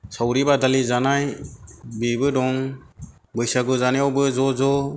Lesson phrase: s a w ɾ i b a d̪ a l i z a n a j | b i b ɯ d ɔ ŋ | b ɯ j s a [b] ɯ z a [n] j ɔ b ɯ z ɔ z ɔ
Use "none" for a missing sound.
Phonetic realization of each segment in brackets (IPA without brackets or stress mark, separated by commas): ɡ, n